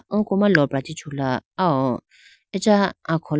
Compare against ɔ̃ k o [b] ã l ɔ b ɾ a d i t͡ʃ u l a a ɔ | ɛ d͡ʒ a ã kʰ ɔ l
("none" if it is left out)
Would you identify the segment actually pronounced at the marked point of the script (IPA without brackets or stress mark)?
m